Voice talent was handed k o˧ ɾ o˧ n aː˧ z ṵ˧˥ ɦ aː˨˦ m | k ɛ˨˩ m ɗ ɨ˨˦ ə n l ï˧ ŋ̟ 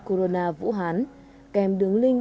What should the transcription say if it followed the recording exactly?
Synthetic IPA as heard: k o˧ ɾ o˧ n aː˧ v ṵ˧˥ ɦ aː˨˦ n | k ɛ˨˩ m ɗ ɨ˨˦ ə ŋ l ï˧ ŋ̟